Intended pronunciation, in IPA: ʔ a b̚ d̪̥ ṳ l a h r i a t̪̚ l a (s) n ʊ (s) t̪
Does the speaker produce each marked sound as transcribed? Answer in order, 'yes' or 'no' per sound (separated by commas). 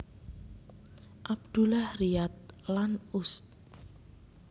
no, yes